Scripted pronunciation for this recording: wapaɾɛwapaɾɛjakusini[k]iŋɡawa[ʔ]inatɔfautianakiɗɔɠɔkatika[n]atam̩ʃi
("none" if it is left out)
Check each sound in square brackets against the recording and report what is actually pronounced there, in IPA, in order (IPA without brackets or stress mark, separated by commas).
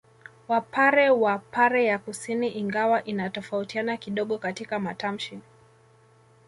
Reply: ʔ, ʔ, m